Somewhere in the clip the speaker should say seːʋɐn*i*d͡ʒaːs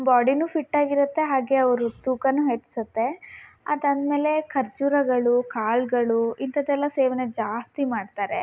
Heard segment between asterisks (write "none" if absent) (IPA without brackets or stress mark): e